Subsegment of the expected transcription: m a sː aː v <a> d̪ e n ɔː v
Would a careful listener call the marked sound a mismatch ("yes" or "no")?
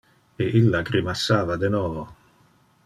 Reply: no